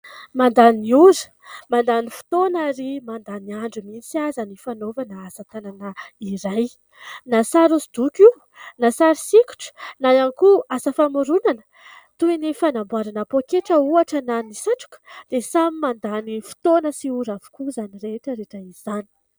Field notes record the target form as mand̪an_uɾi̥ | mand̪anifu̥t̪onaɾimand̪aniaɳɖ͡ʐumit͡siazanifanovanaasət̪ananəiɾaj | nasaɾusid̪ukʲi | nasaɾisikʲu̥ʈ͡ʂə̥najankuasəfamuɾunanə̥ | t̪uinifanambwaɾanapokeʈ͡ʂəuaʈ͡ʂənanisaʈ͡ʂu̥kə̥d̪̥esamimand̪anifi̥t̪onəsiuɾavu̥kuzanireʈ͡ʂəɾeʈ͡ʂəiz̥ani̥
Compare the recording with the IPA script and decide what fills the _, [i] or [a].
i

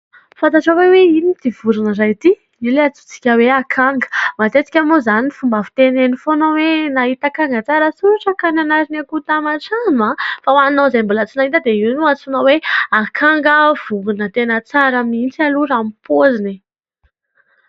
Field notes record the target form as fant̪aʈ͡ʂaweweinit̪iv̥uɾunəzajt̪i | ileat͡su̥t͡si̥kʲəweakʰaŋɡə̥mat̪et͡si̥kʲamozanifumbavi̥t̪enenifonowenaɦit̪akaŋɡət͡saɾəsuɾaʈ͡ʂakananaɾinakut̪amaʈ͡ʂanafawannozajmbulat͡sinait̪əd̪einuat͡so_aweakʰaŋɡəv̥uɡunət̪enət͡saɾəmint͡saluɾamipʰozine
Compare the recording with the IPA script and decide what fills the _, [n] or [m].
n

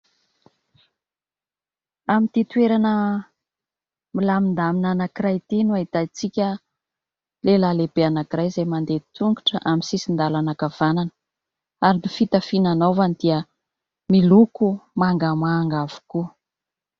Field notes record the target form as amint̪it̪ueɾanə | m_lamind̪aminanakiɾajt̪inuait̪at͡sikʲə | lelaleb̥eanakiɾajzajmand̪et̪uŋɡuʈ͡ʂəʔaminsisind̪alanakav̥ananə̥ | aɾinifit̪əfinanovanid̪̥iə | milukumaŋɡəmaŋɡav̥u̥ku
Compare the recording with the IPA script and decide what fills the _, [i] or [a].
i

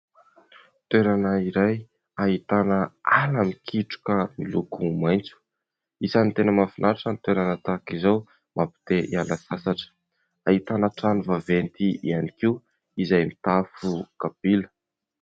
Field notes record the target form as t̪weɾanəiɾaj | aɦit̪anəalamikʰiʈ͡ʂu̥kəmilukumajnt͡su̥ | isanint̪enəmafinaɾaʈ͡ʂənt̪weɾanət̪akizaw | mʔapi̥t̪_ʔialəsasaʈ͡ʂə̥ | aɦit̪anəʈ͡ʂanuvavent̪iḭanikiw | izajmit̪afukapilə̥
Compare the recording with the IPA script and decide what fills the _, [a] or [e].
e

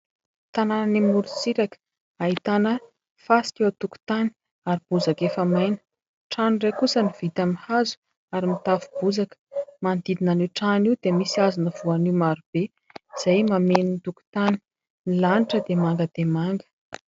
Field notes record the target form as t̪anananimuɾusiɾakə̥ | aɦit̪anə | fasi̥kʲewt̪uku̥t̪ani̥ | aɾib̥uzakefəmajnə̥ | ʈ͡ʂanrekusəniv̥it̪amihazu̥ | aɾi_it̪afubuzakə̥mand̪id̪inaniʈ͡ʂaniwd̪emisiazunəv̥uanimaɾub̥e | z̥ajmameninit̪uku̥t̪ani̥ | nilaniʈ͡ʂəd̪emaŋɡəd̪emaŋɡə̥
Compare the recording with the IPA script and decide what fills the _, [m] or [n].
m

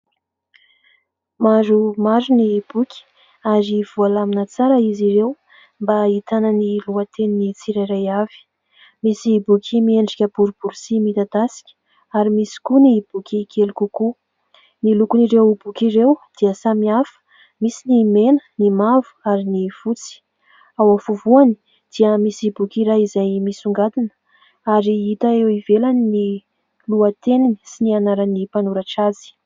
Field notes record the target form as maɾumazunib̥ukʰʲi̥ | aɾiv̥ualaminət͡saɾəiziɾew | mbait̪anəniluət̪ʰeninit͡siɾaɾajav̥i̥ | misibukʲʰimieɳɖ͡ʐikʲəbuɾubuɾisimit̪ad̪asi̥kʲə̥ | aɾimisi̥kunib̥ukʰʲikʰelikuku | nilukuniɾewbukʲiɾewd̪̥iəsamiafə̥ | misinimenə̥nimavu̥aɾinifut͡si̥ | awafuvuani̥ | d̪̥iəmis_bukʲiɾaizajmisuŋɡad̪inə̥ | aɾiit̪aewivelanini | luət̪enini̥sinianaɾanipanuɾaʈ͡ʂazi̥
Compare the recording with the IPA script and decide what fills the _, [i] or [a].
i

